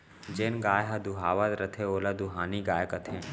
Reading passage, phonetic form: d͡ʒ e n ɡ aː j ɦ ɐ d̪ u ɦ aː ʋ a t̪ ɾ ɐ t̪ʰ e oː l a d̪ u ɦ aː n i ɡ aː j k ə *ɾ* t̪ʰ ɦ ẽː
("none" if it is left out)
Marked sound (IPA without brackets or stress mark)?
none